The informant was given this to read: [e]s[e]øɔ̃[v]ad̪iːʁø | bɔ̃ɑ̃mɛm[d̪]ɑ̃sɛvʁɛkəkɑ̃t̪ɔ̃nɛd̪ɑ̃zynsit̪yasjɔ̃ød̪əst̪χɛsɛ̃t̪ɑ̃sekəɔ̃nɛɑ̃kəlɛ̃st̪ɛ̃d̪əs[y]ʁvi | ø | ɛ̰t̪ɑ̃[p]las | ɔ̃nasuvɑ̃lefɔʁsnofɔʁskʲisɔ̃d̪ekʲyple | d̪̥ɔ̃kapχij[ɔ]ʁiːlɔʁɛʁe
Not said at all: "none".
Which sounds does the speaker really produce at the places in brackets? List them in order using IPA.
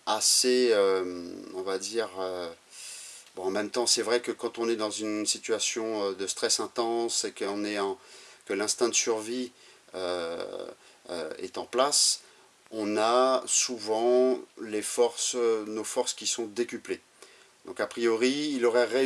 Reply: a, e, v, t̪, y, p, ɔ

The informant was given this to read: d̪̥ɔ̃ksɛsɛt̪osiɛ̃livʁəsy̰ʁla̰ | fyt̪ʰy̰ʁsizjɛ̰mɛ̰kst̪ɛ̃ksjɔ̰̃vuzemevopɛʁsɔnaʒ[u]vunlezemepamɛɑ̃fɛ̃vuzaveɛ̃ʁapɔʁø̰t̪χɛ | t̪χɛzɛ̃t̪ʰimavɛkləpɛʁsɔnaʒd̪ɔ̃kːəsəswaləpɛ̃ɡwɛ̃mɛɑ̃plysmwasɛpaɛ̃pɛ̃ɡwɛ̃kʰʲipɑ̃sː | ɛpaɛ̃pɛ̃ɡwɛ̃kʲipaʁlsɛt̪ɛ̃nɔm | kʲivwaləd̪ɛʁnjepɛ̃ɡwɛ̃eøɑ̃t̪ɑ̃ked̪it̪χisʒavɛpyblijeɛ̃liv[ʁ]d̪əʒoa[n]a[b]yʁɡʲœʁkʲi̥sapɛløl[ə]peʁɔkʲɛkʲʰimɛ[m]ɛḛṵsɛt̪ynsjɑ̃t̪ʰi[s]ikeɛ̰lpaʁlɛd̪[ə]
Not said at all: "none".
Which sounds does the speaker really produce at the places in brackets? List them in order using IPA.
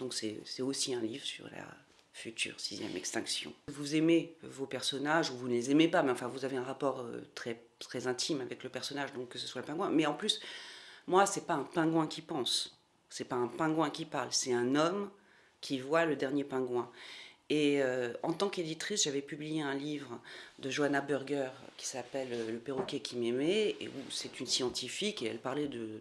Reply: u, ʁ, n, b, ə, m, f, ə

